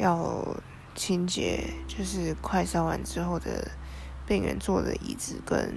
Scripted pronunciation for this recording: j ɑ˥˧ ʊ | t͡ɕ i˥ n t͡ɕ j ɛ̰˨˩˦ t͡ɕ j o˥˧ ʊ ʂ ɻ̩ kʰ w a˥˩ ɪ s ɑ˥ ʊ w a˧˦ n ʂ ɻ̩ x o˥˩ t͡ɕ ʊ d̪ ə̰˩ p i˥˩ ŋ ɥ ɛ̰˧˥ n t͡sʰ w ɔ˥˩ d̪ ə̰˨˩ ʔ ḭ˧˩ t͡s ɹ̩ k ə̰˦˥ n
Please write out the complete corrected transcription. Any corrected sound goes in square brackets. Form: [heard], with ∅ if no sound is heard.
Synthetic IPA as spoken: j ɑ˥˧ ʊ | [t͡ɕʰ] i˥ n t͡ɕ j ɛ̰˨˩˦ t͡ɕ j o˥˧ ʊ ʂ ɻ̩ kʰ w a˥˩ ɪ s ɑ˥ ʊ w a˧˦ n [ʈ͡ʂ] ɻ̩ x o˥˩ [∅] ʊ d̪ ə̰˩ p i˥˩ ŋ ɥ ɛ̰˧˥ n [t͡s] w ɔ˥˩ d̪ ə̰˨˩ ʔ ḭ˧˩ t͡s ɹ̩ k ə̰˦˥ n